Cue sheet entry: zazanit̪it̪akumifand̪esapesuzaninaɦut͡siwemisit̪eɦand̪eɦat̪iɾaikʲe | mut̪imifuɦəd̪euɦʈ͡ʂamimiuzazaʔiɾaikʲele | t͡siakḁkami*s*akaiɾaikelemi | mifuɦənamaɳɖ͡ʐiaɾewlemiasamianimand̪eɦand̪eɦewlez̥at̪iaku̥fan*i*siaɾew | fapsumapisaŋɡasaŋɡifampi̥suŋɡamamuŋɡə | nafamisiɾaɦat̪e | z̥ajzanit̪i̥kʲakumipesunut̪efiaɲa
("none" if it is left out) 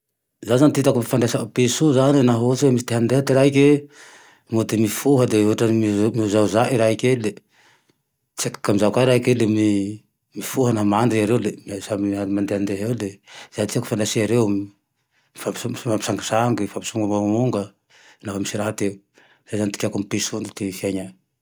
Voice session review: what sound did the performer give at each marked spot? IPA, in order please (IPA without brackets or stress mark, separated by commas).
z, a